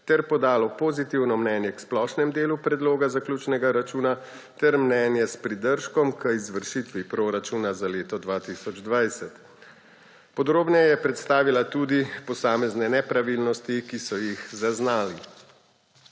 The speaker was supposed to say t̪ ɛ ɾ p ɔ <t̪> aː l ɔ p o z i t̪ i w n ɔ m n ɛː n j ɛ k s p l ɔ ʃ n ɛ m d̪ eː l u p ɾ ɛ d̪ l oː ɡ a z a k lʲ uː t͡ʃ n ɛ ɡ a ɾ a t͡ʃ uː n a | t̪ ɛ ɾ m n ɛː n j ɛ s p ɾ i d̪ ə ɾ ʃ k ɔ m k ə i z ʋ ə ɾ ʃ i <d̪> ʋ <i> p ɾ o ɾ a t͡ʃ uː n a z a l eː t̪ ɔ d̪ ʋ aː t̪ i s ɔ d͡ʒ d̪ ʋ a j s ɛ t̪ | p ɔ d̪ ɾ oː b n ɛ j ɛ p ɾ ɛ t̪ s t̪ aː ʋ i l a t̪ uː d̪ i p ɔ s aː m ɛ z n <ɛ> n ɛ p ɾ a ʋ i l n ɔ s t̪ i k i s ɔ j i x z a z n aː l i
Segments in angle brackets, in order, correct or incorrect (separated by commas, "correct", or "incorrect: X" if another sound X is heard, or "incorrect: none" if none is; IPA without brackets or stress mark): incorrect: d̪, incorrect: t̪, correct, correct